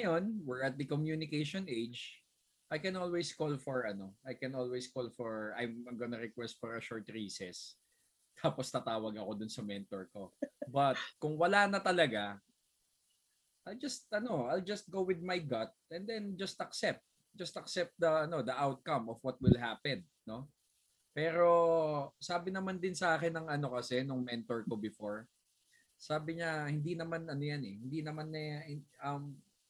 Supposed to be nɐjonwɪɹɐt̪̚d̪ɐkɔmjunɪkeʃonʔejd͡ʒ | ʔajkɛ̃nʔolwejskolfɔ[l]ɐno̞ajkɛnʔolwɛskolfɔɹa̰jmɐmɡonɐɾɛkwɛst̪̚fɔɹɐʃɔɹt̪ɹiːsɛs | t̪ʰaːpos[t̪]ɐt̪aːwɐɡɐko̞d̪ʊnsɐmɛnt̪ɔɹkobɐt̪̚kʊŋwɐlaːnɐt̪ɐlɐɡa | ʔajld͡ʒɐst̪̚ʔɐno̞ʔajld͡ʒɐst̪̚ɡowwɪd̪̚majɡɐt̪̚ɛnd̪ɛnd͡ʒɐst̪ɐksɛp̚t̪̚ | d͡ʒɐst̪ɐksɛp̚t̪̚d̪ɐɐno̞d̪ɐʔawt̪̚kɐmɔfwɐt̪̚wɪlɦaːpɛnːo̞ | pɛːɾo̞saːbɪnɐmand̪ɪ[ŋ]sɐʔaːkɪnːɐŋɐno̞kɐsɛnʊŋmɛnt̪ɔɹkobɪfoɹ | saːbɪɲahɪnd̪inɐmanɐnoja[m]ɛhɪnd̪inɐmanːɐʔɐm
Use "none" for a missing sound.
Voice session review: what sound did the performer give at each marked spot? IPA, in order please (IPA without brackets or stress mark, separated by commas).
ɹ, t̪, n, n